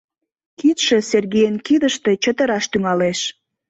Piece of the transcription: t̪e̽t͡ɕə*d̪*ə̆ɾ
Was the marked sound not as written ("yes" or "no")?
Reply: yes